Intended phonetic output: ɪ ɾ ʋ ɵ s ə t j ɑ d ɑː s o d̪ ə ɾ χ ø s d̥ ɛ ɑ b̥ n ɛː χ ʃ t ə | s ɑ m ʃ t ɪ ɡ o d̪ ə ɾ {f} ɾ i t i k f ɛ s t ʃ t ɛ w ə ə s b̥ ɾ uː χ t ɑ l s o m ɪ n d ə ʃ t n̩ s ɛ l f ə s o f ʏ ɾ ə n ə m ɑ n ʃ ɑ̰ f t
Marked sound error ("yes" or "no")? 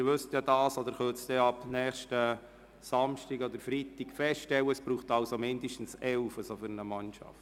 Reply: no